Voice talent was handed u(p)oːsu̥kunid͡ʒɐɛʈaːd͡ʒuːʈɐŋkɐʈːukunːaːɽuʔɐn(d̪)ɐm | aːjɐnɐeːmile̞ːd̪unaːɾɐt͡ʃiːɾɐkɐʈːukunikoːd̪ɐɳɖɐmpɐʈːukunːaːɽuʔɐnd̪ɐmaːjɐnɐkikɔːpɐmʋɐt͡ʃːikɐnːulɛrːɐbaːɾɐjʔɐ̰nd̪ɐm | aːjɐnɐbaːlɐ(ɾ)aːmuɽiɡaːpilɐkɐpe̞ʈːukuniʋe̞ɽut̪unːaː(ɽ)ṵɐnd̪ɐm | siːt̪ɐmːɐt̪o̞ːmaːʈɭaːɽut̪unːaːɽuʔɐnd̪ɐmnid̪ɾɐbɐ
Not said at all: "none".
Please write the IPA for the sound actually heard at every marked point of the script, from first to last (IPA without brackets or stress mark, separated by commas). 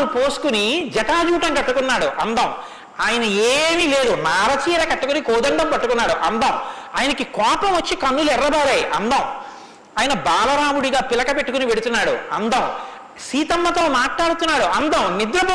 p, d̪, ɾ, ɽ